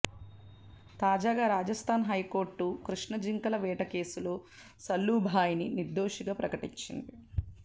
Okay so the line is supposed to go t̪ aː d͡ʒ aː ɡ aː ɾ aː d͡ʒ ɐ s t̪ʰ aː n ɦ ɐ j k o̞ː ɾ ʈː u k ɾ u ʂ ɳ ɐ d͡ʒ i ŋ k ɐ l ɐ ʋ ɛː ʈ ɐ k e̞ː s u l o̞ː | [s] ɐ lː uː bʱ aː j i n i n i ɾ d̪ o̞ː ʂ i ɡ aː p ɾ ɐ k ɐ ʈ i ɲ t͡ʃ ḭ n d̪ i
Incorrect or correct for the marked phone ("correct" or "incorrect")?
correct